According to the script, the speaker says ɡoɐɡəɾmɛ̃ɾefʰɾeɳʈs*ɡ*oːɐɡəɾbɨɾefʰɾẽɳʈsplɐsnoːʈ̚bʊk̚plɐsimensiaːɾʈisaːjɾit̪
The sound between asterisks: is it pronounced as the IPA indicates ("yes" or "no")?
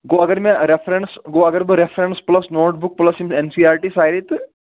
yes